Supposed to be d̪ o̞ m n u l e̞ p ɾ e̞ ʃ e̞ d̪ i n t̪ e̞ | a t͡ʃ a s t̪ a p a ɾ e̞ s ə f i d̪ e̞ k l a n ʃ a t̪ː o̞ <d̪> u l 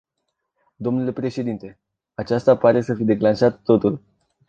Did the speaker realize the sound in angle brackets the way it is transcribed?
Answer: no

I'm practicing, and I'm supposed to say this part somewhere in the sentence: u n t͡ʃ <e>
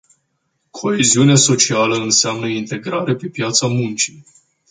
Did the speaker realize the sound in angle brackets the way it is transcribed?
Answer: no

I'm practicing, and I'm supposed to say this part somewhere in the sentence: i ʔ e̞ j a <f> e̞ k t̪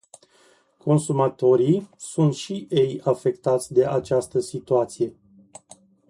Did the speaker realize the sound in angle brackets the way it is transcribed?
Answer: yes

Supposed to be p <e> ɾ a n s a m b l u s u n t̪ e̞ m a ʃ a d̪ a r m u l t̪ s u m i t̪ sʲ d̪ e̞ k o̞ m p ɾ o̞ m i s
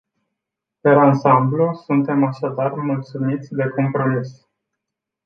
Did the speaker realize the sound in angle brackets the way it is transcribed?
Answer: yes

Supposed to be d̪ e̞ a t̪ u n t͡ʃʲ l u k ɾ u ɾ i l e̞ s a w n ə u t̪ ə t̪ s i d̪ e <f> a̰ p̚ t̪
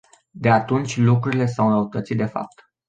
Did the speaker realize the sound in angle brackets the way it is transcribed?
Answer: yes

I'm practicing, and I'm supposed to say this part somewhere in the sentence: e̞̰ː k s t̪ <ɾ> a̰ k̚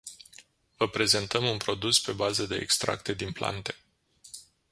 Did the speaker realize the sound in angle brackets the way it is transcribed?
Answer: yes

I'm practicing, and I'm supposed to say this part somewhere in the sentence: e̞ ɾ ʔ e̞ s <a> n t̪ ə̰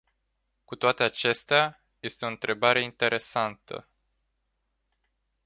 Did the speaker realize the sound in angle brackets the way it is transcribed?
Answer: yes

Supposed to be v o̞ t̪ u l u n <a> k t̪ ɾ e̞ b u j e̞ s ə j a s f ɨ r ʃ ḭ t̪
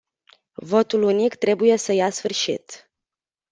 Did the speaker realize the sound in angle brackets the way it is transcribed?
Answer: no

